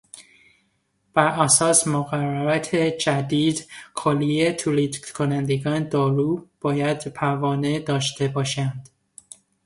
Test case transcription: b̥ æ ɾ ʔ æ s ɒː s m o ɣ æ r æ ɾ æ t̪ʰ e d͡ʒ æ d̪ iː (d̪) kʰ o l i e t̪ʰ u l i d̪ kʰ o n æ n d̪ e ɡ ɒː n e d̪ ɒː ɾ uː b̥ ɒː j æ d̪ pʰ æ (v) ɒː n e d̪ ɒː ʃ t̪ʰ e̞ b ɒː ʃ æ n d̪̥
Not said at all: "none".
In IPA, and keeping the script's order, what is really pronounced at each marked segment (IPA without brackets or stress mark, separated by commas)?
d̪, v